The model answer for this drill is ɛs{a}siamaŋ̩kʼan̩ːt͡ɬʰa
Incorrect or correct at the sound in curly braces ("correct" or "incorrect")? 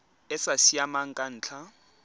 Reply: correct